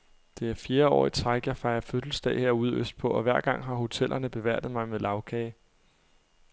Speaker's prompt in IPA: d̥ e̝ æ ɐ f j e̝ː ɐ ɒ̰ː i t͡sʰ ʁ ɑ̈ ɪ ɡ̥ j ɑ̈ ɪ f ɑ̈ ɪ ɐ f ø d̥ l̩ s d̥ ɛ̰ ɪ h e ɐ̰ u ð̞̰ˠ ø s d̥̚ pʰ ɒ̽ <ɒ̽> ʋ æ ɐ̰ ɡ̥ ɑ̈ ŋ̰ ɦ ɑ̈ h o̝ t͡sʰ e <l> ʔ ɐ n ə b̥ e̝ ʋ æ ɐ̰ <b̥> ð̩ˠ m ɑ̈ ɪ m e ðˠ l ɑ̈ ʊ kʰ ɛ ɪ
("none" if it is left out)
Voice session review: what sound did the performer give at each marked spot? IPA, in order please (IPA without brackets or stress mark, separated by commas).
ɒ̽, l, d̥